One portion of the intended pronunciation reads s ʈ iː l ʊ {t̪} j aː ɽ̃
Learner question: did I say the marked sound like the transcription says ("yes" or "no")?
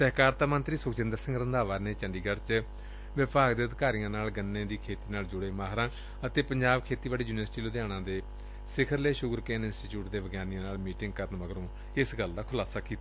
no